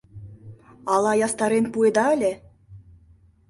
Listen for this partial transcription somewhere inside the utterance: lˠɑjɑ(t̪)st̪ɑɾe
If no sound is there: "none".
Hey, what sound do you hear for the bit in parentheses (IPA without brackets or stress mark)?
none